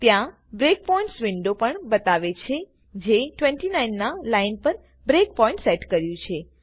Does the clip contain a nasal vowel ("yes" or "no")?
yes